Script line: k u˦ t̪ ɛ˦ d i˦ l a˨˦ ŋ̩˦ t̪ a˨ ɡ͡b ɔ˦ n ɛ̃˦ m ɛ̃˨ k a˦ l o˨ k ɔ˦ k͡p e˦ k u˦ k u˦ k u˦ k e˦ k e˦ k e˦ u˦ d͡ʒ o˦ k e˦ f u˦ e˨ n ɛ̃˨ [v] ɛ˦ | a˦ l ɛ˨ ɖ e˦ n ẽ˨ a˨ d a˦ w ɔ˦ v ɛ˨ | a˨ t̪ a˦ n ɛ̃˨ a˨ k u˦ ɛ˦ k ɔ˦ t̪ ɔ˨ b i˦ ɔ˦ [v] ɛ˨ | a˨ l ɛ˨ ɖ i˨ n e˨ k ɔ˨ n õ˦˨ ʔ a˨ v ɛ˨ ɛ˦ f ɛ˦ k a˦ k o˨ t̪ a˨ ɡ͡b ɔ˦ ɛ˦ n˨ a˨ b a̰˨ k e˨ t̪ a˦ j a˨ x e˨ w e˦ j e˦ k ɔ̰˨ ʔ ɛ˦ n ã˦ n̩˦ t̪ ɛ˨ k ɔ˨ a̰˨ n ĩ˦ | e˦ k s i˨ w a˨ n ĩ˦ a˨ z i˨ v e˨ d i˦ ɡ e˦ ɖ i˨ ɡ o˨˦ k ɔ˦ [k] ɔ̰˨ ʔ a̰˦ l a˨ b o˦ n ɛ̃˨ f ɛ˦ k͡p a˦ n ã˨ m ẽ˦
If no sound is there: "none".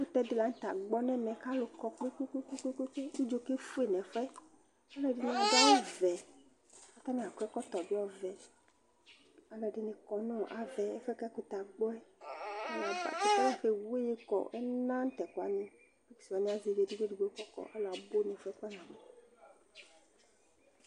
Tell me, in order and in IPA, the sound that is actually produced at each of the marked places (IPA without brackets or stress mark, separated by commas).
f, v, k